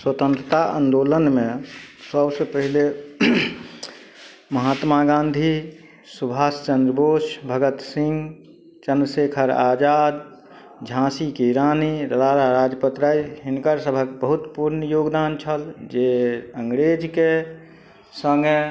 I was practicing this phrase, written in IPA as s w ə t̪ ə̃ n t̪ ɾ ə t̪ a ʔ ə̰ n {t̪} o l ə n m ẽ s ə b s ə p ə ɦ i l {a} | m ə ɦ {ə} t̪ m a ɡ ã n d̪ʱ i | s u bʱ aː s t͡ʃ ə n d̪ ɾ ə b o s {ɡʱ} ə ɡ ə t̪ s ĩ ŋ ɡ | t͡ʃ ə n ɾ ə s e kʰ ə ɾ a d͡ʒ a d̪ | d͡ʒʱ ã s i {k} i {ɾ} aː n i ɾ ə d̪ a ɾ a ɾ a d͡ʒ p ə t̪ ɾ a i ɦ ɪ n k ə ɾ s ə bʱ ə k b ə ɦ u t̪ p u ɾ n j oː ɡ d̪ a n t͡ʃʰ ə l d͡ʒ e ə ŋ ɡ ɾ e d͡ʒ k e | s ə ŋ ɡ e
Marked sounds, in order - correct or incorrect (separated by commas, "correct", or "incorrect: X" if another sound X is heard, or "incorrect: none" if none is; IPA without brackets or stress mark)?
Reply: incorrect: d̪, incorrect: e, incorrect: a, incorrect: bʱ, correct, correct